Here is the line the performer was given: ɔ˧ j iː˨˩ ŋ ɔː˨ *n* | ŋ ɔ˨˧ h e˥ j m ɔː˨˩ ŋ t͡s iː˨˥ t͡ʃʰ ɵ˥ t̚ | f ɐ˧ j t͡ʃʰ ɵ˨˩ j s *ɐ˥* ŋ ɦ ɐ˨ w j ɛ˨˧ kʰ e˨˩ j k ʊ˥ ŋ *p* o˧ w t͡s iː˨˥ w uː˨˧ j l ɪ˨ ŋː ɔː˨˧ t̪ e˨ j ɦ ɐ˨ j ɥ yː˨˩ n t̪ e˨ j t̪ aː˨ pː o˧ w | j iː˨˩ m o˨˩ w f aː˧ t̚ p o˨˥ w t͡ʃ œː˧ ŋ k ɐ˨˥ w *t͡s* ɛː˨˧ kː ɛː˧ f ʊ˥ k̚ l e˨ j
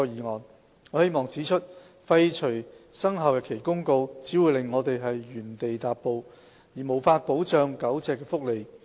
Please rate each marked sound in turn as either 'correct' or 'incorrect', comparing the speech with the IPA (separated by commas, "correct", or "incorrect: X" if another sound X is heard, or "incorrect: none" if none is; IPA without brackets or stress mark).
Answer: correct, correct, incorrect: k, correct